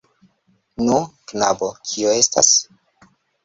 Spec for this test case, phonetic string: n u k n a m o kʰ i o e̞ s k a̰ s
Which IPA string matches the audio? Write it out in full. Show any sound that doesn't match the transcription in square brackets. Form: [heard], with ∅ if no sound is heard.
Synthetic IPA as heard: n u k n a [b] o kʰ i o e̞ s [t] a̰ s